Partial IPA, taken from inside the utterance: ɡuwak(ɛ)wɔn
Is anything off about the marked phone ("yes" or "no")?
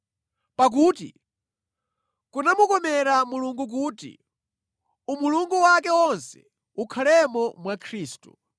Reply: no